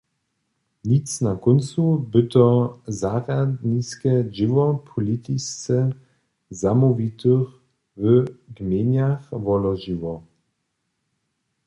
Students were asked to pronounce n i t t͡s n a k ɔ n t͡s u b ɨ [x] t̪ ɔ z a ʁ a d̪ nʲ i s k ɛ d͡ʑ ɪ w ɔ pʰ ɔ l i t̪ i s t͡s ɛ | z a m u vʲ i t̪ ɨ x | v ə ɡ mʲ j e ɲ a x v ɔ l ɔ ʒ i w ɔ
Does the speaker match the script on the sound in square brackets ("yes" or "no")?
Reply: no